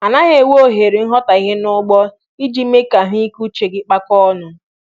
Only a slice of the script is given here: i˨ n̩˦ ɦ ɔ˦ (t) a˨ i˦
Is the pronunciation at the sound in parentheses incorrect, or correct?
correct